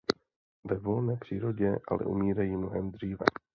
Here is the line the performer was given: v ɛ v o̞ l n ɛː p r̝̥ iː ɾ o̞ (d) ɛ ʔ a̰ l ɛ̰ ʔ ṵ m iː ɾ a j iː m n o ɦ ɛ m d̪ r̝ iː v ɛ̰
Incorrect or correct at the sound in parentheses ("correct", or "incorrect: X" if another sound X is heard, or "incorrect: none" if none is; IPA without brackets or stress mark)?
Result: incorrect: ɟ